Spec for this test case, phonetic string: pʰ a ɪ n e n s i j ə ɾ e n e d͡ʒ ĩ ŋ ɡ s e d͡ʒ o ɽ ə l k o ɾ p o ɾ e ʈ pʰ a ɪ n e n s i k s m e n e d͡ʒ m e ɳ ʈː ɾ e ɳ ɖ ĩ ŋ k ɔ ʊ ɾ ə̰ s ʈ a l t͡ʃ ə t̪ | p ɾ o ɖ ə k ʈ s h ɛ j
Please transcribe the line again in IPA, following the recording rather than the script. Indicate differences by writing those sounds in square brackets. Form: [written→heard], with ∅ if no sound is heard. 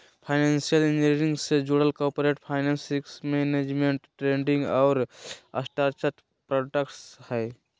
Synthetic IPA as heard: pʰ a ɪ n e n s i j ə [ɾ→l] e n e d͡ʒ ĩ ŋ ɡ s e d͡ʒ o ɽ ə l k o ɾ p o ɾ e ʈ pʰ a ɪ n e n s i k s m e n e d͡ʒ m e ɳ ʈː ɾ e ɳ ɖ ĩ ŋ [k→ɡ] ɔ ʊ ɾ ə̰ s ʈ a [l→ɾ] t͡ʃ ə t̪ | p ɾ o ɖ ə k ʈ s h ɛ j